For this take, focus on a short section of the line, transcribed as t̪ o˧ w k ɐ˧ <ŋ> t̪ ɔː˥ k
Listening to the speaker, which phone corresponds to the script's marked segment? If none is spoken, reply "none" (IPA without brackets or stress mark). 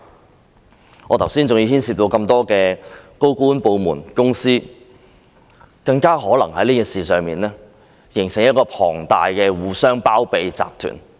m